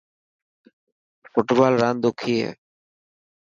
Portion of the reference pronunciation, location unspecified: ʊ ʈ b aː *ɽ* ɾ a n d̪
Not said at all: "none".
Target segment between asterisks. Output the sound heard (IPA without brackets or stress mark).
l